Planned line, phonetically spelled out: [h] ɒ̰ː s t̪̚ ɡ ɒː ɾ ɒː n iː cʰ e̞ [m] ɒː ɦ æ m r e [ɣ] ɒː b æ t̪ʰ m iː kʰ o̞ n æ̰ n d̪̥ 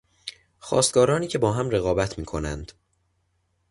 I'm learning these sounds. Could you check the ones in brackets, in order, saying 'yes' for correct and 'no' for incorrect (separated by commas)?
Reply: no, no, yes